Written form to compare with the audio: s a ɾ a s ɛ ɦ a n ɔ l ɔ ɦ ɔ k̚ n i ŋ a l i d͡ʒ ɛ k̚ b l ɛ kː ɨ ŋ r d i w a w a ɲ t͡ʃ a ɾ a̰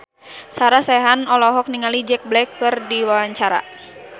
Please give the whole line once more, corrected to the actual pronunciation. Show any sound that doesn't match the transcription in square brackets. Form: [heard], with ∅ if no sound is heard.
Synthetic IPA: s a ɾ a s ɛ ɦ a n ɔ l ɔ ɦ ɔ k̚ n i ŋ a l i d͡ʒ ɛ k̚ b l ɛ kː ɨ [∅] r d i w a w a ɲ t͡ʃ a ɾ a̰